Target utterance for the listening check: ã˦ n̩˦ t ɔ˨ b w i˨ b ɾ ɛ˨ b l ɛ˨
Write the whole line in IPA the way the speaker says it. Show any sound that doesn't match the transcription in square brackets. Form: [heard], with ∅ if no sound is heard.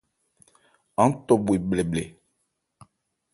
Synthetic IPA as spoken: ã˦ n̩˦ t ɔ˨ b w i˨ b [l] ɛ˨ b l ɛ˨